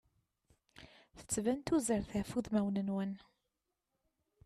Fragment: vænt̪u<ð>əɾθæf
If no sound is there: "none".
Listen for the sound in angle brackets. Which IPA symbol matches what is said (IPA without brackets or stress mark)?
z